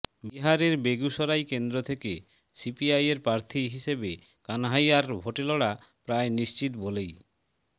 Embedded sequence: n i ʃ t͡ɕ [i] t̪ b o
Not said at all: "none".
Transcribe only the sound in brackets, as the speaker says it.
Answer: i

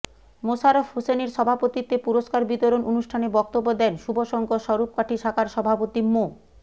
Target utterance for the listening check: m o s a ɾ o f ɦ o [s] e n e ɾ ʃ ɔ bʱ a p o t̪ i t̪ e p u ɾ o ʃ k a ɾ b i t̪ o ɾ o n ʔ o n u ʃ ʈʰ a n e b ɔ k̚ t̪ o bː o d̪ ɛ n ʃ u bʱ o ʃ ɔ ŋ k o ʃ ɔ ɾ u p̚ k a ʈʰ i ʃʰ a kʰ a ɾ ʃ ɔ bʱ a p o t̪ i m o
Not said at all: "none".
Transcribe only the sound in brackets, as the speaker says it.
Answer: s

